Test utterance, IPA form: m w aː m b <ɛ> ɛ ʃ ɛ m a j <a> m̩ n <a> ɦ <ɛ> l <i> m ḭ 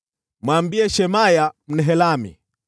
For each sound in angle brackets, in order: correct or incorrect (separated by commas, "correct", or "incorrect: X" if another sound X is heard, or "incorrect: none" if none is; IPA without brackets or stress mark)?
incorrect: i, correct, incorrect: ɛ, correct, incorrect: a